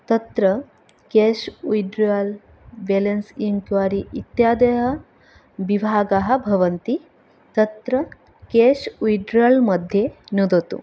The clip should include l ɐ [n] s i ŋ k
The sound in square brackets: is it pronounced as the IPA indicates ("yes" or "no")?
yes